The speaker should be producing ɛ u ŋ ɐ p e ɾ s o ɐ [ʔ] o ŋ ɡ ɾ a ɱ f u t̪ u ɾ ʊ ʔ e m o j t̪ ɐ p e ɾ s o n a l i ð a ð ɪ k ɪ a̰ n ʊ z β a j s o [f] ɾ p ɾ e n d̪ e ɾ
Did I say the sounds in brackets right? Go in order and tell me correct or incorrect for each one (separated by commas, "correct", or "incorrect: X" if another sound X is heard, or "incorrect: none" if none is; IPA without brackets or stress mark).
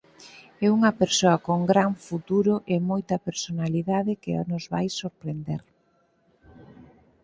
incorrect: k, incorrect: none